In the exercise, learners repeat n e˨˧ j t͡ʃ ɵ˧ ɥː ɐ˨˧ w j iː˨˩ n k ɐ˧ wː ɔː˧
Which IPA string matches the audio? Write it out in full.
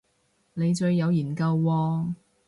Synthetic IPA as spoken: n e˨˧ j t͡ʃ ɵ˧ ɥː ɐ˨˧ w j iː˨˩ n k ɐ˧ wː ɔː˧